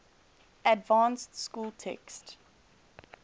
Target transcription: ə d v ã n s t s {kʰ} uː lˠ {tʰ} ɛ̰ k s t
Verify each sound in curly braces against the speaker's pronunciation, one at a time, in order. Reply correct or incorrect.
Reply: incorrect: k, correct

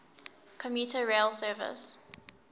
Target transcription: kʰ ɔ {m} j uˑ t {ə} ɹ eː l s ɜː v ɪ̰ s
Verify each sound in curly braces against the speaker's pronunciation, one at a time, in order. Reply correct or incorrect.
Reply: correct, correct

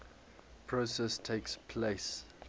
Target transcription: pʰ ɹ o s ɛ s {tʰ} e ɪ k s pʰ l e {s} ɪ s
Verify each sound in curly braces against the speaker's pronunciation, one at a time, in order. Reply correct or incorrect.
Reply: correct, incorrect: none

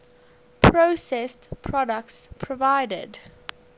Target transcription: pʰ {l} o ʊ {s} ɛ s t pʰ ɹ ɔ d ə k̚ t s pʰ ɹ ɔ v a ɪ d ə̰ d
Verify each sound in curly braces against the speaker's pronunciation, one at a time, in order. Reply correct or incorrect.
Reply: incorrect: ɹ, correct

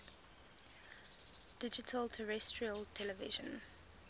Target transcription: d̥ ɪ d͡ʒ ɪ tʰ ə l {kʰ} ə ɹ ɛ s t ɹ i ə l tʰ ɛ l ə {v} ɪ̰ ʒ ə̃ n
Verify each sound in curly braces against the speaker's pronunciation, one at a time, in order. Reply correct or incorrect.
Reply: incorrect: tʰ, correct

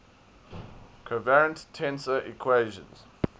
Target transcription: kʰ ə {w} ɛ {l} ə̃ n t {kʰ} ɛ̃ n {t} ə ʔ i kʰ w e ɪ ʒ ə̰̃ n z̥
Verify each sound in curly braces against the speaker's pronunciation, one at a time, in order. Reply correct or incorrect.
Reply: incorrect: v, incorrect: ɹ, incorrect: tʰ, incorrect: s

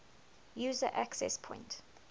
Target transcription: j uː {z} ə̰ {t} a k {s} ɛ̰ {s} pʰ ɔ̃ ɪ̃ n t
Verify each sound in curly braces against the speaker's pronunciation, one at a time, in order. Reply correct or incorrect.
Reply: correct, incorrect: ʔ, correct, correct

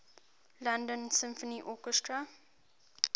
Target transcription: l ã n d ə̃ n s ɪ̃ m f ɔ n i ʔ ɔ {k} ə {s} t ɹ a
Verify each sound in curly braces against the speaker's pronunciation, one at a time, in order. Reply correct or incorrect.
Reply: correct, correct

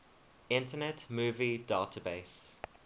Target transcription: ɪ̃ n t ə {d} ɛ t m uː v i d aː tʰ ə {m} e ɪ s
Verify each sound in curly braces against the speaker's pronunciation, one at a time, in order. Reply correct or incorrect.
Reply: incorrect: n, incorrect: b

